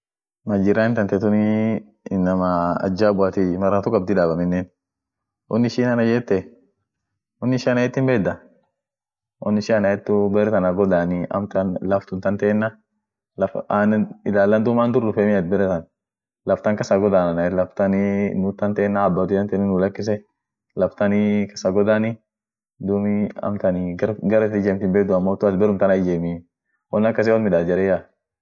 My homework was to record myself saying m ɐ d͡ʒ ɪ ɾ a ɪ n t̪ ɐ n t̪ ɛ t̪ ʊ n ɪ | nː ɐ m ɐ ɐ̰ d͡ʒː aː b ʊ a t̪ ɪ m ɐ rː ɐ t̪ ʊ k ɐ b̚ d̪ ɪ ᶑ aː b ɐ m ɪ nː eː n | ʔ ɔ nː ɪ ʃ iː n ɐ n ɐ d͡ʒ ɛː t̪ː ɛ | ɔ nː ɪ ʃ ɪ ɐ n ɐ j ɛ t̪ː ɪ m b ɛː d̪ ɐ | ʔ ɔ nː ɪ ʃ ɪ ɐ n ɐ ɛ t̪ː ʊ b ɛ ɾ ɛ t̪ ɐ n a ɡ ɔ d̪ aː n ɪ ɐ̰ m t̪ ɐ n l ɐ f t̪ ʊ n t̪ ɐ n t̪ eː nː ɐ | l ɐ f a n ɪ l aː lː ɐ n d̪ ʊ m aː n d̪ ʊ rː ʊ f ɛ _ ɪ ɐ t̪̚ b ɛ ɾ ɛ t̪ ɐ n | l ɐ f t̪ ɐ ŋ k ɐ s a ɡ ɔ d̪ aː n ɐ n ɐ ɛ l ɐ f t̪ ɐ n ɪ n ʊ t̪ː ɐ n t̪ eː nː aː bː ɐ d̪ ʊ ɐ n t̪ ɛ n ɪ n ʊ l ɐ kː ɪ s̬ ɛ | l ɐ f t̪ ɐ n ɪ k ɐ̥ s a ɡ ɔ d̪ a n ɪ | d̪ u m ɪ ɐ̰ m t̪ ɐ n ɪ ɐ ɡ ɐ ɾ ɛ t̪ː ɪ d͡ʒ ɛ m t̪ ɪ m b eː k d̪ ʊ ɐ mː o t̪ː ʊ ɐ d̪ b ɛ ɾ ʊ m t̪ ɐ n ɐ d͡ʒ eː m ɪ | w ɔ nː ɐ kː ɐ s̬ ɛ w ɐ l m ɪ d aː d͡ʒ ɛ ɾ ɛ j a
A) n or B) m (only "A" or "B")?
B